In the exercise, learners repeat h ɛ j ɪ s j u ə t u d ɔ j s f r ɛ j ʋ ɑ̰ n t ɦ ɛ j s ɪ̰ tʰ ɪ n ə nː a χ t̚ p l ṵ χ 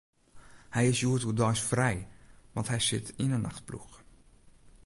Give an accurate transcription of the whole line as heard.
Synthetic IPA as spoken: h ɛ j ɪ s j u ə t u d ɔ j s f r ɛ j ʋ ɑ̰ n t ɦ ɛ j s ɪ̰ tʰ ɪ n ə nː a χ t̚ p l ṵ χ